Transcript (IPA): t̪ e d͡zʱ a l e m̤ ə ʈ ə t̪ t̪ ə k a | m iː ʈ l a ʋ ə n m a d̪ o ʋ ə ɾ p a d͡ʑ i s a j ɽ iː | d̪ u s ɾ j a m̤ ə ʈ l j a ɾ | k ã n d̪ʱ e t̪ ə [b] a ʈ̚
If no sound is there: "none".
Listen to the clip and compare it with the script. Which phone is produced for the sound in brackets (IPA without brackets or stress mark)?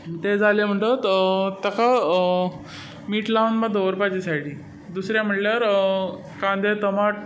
m